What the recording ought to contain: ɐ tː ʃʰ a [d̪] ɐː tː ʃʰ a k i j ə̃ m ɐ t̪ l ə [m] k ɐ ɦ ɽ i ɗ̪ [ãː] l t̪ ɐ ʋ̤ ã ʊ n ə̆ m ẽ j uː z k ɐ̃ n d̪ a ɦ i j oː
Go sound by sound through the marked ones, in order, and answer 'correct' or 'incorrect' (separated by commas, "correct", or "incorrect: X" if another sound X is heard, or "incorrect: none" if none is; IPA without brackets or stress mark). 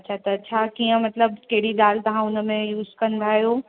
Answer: incorrect: t̪, incorrect: b, incorrect: aː